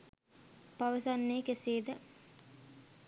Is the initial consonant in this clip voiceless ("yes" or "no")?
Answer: yes